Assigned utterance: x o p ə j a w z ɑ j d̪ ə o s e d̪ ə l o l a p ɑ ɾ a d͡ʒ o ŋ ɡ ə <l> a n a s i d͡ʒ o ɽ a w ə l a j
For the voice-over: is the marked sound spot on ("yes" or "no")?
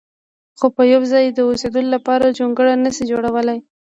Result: no